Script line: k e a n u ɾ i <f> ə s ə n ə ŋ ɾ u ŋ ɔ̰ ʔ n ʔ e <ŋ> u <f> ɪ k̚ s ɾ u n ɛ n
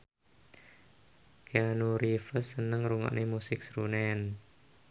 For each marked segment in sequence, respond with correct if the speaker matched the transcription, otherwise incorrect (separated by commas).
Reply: correct, incorrect, incorrect